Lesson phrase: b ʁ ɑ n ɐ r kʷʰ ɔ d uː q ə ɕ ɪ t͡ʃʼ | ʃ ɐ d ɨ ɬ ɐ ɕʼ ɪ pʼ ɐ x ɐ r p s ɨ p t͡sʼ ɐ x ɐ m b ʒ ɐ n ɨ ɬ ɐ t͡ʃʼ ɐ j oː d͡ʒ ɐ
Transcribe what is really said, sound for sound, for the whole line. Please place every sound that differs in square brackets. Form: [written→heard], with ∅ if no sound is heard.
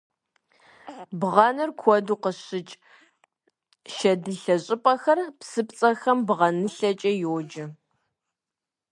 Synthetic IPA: b ʁ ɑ n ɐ r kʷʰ ɔ d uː q ə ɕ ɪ t͡ʃʼ | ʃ ɐ d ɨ ɬ ɐ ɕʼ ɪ pʼ ɐ x ɐ r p s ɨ p t͡sʼ ɐ x ɐ m b [ʒ→ʁ] ɐ n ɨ ɬ ɐ t͡ʃʼ ɐ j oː d͡ʒ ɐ